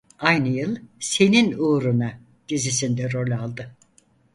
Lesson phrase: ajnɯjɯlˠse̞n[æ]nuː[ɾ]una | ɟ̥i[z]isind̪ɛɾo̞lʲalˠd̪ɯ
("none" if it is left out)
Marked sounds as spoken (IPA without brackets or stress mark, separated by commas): i, ɾ, z